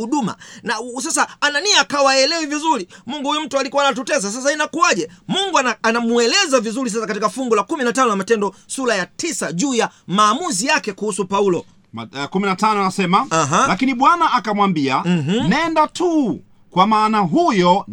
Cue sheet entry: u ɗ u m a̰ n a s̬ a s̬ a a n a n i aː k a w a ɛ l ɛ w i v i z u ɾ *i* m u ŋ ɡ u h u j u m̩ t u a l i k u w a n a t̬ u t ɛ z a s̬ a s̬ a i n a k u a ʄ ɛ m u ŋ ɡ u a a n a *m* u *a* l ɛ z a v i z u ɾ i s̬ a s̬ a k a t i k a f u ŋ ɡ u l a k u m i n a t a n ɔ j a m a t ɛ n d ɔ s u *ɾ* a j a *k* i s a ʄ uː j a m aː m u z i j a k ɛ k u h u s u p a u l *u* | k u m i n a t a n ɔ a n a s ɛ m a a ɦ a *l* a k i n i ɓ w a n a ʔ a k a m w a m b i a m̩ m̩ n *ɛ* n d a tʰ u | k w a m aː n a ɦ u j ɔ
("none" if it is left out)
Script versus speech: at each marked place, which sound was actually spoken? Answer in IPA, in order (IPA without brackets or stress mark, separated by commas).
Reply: i, m, ɛ, l, t, ɔ, l, ɛ